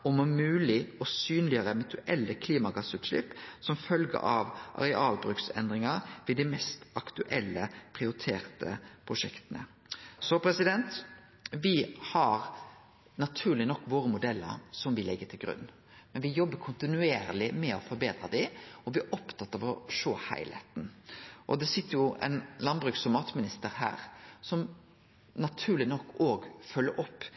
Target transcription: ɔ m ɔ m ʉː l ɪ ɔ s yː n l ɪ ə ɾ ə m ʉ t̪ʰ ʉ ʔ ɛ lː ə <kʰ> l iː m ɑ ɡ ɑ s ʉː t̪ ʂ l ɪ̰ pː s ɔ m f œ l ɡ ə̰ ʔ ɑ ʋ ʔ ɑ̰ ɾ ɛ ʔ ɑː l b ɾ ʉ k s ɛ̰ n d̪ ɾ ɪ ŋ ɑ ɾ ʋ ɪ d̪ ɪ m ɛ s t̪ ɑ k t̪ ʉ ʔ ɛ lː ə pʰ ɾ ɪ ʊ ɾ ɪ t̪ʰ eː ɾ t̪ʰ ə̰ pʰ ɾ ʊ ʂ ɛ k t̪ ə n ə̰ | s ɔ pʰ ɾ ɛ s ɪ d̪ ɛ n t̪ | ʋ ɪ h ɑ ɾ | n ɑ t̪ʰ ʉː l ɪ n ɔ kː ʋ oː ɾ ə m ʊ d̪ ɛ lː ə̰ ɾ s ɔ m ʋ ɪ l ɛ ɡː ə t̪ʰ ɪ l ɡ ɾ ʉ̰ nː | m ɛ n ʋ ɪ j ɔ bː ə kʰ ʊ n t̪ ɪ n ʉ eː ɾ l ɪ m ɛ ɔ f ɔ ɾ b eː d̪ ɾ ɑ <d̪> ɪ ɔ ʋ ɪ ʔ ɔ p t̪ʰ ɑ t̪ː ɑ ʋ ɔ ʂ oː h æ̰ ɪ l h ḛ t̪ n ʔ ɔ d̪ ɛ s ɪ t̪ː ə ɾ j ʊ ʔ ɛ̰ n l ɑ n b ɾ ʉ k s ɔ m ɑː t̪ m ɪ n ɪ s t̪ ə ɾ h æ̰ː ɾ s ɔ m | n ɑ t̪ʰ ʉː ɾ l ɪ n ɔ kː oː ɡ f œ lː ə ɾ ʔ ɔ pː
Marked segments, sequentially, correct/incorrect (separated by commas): correct, correct